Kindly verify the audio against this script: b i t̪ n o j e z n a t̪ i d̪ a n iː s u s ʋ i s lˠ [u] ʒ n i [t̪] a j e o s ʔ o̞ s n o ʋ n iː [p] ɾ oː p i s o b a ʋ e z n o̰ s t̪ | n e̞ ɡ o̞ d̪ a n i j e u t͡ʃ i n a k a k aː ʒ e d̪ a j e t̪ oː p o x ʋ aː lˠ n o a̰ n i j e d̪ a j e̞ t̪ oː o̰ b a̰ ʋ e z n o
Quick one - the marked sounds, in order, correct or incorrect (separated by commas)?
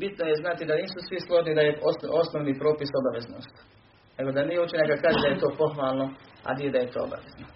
incorrect, incorrect, correct